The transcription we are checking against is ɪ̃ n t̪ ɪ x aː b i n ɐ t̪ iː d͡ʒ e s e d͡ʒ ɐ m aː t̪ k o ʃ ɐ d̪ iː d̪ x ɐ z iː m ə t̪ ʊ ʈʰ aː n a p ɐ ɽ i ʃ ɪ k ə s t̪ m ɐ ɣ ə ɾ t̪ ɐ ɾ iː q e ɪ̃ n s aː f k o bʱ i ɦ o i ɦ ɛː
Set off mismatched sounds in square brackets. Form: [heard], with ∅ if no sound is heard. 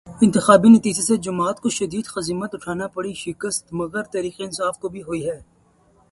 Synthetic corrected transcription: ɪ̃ n t̪ ɪ x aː b i n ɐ t̪ iː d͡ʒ e s e d͡ʒ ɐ m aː t̪ k o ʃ ɐ d̪ iː d̪ x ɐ z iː m ə t̪ ʊ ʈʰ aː n a p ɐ ɽ i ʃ ɪ k ə s t̪ m ɐ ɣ ə ɾ t̪ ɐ ɾ iː q e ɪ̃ n s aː f k o bʱ i ɦ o i ɦ ɛː